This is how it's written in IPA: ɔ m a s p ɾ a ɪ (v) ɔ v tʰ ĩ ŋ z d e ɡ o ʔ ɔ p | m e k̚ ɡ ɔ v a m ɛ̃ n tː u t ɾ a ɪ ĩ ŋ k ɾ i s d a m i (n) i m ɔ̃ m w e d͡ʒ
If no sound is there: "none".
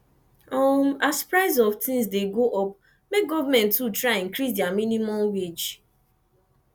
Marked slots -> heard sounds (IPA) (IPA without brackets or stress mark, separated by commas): z, n